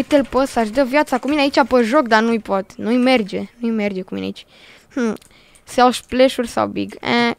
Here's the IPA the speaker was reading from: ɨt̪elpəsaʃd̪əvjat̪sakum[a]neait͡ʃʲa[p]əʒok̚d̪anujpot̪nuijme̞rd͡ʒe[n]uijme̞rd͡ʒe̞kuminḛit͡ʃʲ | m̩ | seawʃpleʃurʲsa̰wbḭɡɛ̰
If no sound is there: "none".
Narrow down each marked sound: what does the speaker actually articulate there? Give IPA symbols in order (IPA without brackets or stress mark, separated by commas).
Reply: i, p, n